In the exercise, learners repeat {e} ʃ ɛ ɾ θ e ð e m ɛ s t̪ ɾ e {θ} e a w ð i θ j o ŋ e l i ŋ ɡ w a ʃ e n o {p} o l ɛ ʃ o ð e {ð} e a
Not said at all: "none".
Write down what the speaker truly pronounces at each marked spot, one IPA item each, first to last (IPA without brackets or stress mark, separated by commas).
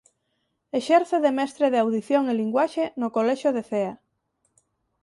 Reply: e, ð, k, θ